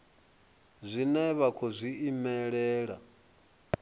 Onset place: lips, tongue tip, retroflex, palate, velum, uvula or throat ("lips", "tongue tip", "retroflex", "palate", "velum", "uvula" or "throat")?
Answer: tongue tip